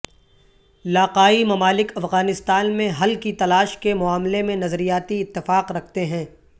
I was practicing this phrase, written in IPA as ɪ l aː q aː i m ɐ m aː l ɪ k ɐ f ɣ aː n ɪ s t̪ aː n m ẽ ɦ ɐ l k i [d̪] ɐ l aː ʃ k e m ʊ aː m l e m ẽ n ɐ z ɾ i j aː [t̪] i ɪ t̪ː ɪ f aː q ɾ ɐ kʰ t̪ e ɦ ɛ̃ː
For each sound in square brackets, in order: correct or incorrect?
incorrect, correct

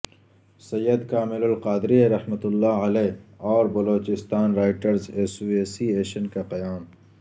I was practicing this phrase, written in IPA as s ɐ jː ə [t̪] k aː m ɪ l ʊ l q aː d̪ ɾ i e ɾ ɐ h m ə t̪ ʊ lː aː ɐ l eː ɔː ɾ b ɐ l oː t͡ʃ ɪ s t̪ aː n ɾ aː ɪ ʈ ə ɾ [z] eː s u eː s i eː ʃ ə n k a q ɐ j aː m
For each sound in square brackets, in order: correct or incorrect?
incorrect, correct

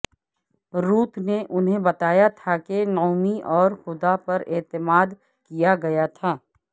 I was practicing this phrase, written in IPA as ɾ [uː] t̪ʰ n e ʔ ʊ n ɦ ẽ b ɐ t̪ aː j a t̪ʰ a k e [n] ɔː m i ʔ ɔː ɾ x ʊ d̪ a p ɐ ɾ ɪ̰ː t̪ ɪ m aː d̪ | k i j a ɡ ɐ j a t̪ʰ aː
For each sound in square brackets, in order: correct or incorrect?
correct, correct

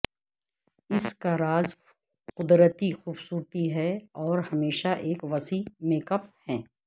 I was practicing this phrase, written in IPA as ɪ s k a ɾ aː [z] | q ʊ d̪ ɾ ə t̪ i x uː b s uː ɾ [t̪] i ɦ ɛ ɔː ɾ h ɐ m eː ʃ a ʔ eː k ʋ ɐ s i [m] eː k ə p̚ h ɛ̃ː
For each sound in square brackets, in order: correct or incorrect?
correct, correct, correct

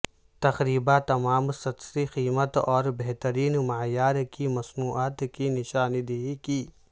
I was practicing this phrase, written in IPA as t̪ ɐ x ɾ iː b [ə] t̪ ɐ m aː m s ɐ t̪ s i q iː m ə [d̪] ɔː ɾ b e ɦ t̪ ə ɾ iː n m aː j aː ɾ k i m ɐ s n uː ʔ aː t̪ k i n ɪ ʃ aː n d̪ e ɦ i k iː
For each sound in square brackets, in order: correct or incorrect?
incorrect, incorrect

